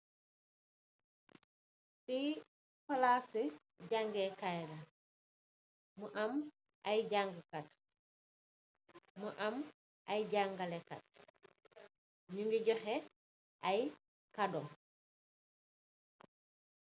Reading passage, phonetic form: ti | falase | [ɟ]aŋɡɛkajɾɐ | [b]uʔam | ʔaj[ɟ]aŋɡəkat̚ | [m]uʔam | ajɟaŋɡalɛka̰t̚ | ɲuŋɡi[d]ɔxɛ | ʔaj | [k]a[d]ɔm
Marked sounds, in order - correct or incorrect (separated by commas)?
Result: correct, incorrect, correct, correct, incorrect, correct, correct